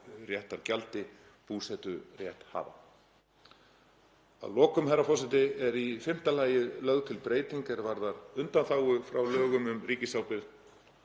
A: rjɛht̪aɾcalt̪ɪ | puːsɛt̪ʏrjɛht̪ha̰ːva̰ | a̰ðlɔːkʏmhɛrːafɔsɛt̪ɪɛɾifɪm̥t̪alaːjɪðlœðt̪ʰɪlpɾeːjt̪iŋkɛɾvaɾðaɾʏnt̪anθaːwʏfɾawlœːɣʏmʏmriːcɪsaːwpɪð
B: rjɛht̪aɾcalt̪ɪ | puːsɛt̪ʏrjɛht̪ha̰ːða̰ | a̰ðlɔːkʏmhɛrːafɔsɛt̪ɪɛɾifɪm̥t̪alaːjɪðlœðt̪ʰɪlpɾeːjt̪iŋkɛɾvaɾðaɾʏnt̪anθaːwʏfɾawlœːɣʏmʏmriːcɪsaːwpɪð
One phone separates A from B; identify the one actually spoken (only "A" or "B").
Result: A